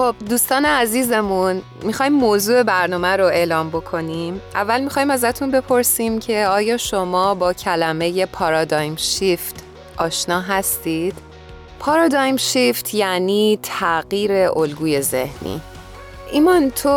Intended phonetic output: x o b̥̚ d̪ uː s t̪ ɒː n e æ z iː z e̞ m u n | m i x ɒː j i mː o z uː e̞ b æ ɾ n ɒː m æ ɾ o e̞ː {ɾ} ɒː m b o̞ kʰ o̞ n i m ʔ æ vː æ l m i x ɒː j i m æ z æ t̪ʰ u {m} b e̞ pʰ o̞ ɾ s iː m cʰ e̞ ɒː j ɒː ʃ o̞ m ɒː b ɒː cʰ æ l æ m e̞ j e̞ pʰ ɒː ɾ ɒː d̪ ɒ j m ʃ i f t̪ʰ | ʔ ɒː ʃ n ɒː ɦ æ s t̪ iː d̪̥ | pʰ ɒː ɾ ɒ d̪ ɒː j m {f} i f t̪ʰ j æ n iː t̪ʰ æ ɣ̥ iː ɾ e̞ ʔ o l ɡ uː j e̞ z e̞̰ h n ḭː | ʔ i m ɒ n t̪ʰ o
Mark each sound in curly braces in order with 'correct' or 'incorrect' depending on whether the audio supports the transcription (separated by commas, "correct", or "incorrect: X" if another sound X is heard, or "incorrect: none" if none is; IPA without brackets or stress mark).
incorrect: l, incorrect: n, incorrect: ʃ